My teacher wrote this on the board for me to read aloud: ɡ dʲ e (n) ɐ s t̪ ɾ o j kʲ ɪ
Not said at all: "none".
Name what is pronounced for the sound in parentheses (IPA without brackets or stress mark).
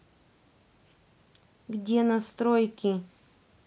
n